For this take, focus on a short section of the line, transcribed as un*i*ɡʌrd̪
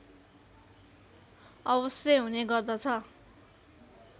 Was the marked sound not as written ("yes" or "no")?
yes